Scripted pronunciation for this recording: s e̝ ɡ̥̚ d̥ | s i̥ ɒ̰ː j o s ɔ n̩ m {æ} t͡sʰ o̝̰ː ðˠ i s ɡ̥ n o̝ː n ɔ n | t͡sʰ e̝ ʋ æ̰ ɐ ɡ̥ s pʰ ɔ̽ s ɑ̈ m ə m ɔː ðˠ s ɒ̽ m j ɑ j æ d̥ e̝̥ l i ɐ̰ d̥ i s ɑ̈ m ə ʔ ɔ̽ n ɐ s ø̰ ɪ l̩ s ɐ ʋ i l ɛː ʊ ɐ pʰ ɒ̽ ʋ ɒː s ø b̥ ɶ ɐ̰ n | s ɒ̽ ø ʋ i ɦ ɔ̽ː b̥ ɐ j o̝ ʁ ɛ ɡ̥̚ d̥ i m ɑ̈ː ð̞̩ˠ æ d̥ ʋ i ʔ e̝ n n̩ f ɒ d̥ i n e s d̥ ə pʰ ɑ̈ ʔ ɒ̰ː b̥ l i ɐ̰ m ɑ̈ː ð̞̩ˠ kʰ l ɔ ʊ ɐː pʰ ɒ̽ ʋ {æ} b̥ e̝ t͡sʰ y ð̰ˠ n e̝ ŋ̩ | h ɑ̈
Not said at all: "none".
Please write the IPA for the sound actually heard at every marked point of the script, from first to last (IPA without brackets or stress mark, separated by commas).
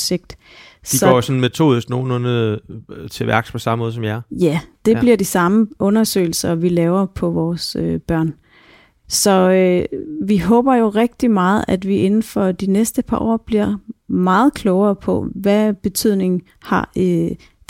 e, æ